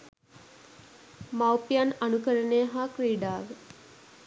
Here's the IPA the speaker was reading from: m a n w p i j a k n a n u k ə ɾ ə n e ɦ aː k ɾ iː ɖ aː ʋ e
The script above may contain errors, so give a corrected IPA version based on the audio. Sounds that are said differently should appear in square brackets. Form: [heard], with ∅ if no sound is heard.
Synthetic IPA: m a [∅] w p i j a [∅] n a n u k ə ɾ ə n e ɦ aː k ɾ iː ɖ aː ʋ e